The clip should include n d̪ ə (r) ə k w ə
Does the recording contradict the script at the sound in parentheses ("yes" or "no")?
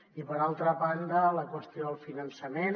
yes